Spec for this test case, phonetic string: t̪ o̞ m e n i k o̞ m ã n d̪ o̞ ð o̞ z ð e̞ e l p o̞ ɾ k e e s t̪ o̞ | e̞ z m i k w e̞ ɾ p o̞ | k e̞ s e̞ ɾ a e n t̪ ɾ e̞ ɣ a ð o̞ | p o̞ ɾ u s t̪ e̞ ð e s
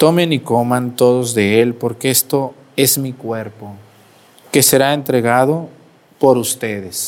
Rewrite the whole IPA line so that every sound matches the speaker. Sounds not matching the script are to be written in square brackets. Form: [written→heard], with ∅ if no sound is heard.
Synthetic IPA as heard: t̪ o̞ m e n i k o̞ m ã n [d̪→t̪] o̞ ð o̞ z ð e̞ e l p o̞ ɾ k e e s t̪ o̞ | e̞ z m i k w e̞ ɾ p o̞ | k e̞ s e̞ ɾ a e n t̪ ɾ e̞ ɣ a ð o̞ | p o̞ ɾ u s t̪ e̞ ð e s